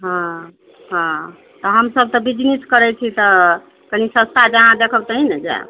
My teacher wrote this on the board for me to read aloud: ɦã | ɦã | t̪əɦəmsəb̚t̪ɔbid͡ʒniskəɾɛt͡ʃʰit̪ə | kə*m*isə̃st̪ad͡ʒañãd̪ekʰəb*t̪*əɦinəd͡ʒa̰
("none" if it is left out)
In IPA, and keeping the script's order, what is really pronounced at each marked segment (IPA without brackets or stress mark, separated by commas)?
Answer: n, t̪